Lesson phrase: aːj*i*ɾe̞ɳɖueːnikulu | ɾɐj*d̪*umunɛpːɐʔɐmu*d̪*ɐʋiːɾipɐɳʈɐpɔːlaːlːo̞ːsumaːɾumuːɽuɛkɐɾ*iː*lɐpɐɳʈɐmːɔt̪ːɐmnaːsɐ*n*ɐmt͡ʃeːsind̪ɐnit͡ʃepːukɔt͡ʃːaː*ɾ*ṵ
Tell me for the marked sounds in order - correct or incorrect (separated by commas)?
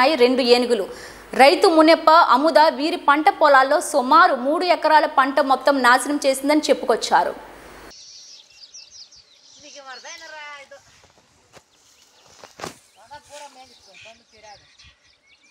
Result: correct, incorrect, correct, incorrect, correct, correct